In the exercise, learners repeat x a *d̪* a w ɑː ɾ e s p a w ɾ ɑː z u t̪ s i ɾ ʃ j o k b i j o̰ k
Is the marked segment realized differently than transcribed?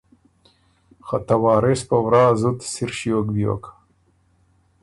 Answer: yes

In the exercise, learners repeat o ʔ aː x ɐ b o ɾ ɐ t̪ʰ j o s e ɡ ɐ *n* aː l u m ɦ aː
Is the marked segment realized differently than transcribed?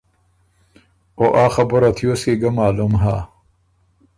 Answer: yes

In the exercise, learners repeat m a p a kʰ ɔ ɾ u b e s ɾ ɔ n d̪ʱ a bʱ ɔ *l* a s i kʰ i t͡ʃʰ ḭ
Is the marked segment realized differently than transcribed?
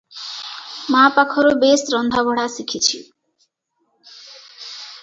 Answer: yes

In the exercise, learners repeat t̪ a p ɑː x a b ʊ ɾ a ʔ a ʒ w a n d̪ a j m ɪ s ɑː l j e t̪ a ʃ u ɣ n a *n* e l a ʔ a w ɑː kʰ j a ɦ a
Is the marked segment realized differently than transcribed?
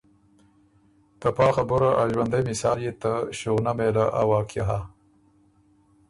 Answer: yes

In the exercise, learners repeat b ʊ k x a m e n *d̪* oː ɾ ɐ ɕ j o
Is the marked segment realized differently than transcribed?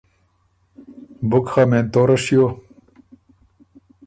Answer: yes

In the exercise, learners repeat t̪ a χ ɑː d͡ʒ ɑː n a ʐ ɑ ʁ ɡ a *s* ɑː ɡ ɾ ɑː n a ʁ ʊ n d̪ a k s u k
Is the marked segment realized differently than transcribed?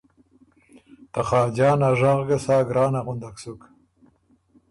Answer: no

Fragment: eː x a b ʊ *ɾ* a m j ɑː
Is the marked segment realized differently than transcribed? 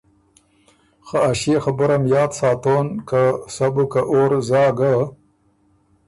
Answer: no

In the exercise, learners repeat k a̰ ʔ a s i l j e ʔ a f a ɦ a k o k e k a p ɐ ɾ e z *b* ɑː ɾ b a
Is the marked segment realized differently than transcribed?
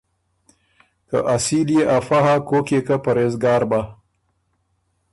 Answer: yes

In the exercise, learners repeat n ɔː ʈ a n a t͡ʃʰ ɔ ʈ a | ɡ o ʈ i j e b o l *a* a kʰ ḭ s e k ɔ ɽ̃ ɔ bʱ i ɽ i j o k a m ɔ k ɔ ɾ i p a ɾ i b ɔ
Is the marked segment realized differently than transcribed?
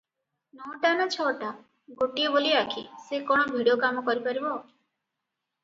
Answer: yes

